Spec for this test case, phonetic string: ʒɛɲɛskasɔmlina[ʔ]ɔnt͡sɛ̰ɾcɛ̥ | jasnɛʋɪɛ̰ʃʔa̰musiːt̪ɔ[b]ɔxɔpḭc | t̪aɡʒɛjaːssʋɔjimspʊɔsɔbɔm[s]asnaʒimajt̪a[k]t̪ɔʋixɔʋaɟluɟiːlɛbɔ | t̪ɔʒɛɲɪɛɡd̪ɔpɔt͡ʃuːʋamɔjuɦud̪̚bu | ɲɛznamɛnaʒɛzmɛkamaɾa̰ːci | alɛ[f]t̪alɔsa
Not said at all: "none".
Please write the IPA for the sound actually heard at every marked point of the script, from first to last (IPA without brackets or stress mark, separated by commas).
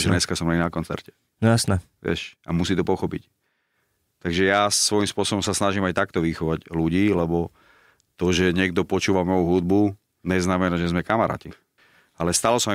k, p, s, k, s